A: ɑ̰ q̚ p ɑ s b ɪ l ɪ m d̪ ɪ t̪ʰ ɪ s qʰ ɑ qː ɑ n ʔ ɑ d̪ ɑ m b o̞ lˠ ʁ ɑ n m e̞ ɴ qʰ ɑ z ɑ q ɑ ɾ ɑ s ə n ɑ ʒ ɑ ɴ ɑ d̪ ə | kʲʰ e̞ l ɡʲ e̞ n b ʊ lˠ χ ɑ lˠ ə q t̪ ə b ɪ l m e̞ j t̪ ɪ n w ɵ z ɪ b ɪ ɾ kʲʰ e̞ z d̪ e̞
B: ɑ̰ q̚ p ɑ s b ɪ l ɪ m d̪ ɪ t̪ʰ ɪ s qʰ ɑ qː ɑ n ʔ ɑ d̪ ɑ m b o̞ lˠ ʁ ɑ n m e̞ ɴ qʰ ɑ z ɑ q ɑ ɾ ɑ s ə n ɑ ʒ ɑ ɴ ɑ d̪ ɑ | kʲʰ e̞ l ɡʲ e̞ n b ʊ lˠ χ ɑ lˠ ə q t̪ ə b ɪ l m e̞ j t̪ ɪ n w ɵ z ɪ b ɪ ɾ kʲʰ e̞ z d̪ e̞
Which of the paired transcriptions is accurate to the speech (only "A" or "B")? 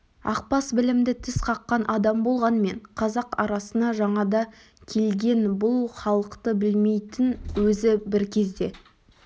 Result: B